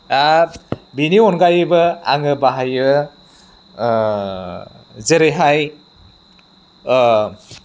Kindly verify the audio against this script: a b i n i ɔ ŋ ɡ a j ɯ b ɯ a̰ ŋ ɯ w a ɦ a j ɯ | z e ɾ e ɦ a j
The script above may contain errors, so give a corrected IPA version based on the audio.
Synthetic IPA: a b i n i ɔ n ɡ a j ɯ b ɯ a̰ ŋ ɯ b a ɦ a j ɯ | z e ɾ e ɦ a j